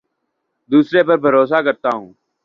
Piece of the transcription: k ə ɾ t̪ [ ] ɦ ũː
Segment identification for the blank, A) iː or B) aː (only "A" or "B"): B